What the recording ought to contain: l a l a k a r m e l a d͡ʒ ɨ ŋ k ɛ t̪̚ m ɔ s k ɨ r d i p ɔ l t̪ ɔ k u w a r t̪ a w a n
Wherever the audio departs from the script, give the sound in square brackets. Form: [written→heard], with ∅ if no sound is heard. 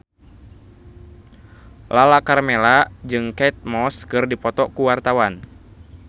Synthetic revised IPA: l a l a k a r m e l a d͡ʒ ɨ ŋ k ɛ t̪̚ m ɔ s k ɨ r d i p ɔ [l→∅] t̪ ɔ k u w a r t̪ a w a n